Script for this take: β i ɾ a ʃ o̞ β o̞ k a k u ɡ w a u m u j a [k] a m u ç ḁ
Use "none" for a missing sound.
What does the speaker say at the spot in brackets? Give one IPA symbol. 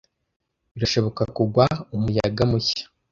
ɡ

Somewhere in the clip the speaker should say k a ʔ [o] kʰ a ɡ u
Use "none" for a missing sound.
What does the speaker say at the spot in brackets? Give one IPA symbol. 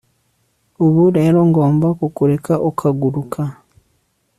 o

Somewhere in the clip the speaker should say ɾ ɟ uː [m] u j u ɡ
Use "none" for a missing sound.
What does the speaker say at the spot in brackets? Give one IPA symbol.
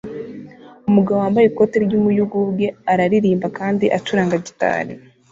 m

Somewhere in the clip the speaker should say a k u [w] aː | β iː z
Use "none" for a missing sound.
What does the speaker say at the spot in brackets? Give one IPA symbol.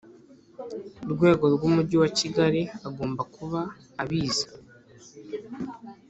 β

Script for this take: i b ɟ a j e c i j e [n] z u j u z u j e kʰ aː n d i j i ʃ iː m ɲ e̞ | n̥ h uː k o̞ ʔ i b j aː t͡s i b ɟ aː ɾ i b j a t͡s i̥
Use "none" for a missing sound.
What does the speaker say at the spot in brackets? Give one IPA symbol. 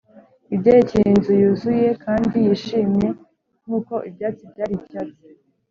n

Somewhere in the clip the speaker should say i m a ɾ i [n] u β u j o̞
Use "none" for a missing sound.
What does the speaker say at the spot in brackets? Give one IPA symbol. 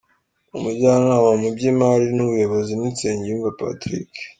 n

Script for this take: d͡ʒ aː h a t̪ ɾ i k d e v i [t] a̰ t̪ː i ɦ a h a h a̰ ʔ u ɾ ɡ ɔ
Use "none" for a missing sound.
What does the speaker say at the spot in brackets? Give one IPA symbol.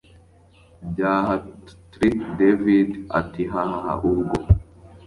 d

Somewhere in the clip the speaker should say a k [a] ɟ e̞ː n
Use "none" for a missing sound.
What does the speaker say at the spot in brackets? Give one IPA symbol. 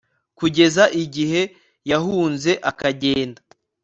a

